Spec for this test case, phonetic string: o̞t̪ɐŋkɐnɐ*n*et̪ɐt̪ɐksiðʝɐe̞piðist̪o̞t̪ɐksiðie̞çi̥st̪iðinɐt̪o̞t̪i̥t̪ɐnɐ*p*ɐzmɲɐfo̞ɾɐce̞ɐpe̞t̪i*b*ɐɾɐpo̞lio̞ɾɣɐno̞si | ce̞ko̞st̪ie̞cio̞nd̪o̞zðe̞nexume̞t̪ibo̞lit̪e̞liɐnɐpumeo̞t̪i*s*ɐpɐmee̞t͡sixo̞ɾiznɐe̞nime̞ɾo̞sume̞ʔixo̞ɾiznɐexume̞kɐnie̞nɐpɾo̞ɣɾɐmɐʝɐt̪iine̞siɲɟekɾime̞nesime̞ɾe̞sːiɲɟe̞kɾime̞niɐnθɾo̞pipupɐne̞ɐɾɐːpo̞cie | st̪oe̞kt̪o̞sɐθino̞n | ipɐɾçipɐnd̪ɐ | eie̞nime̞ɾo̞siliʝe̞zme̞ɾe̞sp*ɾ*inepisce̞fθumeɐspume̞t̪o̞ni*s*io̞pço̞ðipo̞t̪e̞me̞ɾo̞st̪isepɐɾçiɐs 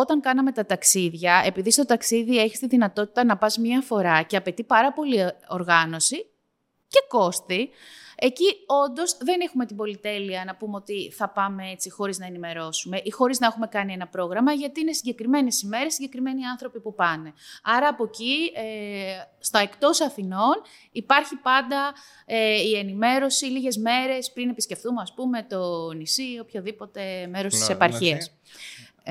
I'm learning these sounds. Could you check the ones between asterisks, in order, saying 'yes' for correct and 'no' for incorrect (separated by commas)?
no, yes, no, no, yes, yes